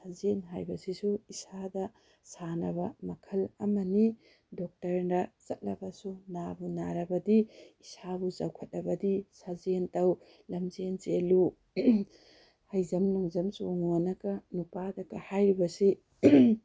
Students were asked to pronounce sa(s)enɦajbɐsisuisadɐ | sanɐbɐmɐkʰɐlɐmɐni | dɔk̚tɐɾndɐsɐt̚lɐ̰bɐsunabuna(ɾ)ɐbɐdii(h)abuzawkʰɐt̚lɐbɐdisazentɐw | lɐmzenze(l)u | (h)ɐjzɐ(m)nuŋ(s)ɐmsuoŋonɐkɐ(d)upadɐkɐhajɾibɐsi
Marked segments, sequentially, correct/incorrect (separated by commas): incorrect, correct, incorrect, correct, correct, correct, incorrect, incorrect